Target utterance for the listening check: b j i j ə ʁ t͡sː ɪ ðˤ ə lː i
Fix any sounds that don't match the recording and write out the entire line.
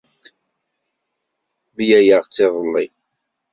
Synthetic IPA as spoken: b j æ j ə ʁ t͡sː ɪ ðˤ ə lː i